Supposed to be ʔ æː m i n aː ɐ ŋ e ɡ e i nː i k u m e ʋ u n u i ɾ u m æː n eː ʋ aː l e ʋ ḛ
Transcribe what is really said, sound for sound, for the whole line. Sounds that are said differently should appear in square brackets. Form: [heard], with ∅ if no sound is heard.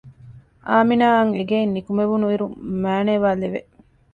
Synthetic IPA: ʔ [aː] m i n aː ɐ ŋ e ɡ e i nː i k u m e ʋ u n u i ɾ u m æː n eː ʋ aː l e ʋ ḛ